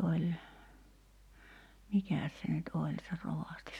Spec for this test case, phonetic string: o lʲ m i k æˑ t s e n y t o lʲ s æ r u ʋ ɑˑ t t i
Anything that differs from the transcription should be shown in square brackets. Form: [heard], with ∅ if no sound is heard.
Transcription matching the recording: o lʲ m i k æˑ [s] s e n y t o lʲ s [e] r [o] ʋ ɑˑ [s] t i